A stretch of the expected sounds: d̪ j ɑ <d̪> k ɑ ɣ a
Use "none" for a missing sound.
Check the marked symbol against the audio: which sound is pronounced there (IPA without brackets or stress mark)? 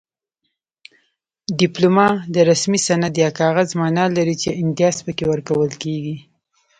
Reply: none